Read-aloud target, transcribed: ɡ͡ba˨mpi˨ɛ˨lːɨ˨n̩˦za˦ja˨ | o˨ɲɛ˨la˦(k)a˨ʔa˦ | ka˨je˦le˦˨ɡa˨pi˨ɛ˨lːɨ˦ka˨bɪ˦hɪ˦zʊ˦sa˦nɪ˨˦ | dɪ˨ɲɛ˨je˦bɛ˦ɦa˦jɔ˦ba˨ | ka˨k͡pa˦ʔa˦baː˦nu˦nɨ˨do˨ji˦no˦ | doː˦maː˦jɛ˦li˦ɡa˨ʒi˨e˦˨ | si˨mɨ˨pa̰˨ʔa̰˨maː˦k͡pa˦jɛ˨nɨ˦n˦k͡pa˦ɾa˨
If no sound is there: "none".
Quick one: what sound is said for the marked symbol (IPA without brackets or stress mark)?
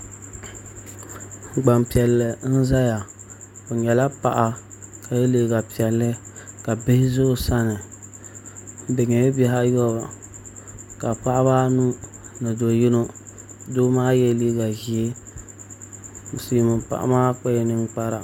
p